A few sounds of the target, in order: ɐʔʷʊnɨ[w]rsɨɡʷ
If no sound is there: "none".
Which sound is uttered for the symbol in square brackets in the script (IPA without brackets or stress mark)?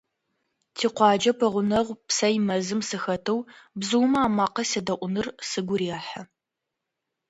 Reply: none